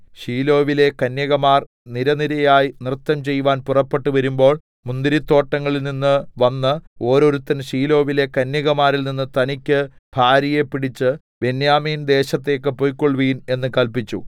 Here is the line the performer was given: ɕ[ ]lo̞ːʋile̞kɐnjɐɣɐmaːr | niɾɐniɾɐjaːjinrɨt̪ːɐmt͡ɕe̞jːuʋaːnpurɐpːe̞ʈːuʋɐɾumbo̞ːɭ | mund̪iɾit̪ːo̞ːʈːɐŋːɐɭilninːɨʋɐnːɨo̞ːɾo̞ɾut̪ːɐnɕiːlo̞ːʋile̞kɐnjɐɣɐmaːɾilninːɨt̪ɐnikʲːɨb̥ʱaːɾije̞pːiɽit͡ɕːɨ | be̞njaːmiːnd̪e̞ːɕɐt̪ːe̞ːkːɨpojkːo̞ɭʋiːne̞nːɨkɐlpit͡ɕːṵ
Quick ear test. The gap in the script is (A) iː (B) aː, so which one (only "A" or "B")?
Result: A